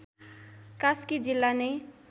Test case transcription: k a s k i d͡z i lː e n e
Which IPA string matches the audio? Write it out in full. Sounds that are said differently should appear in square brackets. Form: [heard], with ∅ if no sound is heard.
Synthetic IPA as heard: k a s k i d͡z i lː [a] n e